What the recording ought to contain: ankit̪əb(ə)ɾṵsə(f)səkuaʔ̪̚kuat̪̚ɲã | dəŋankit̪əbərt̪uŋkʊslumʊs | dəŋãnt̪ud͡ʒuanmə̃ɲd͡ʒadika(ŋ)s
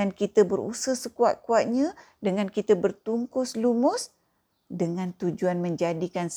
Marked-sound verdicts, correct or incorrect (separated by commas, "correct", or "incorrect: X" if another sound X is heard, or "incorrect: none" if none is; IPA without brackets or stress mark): correct, incorrect: h, incorrect: n